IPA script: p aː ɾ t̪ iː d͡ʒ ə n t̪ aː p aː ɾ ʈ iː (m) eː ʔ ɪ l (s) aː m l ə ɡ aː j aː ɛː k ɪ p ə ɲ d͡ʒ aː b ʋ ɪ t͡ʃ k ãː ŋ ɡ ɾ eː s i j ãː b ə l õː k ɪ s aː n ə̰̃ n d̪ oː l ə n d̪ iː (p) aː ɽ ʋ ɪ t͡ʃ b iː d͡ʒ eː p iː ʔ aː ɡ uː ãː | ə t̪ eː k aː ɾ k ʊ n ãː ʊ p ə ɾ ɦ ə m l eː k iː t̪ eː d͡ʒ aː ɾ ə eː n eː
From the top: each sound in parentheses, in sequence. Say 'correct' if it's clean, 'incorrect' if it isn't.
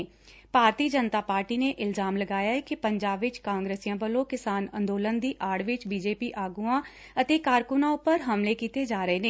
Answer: incorrect, incorrect, incorrect

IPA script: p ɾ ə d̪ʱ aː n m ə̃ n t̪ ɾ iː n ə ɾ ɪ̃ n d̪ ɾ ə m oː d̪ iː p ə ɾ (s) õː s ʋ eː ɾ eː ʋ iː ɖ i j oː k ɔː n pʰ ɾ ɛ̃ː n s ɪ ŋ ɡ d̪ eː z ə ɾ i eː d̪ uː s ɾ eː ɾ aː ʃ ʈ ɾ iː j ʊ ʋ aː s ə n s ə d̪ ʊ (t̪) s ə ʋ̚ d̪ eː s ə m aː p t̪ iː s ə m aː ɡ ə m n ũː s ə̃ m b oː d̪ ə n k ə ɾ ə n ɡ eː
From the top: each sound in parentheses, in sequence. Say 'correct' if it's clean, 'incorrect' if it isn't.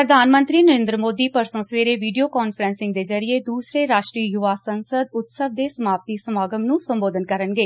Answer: correct, correct

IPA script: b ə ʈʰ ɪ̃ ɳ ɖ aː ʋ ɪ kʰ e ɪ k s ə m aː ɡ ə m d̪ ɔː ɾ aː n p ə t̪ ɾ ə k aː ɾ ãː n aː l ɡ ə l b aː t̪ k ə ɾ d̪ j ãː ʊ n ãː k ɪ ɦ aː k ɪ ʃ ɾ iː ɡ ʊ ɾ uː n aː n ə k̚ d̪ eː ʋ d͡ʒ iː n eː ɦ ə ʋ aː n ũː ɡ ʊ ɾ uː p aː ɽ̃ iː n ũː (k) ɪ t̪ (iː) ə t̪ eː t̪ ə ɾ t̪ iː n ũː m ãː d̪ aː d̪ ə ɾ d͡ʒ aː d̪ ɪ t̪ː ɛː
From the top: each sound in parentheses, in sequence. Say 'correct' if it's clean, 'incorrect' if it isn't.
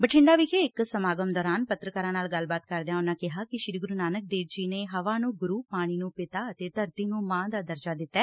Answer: incorrect, incorrect

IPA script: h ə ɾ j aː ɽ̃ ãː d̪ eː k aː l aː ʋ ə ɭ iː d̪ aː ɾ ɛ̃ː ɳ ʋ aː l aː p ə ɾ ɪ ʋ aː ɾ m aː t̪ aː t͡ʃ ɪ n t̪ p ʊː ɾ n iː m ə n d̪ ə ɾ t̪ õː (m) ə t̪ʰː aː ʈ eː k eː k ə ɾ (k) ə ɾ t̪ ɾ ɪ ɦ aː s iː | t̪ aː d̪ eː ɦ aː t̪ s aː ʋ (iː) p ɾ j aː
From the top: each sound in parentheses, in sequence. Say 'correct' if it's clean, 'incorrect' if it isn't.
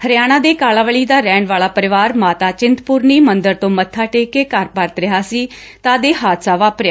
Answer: correct, incorrect, incorrect

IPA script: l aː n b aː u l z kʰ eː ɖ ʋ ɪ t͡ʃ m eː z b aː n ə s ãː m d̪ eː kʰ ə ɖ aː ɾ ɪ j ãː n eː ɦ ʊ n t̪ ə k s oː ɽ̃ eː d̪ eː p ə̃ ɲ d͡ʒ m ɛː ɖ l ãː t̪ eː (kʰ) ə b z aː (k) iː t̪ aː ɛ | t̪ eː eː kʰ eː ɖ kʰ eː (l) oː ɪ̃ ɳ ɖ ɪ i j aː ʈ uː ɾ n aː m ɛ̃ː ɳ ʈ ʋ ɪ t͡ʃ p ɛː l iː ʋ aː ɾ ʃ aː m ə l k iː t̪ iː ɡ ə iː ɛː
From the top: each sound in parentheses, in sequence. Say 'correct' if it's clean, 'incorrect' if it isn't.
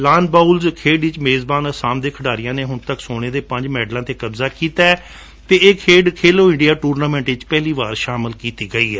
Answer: incorrect, correct, correct

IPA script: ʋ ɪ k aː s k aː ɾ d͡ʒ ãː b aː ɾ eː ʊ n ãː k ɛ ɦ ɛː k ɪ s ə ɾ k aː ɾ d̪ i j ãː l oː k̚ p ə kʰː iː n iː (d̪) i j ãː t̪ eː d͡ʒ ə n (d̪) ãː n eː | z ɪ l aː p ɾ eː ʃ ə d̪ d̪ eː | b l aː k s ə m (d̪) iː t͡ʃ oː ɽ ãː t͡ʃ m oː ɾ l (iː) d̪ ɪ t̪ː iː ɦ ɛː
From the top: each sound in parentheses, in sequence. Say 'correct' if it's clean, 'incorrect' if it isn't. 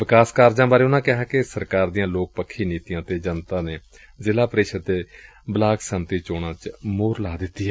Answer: incorrect, incorrect, incorrect, incorrect

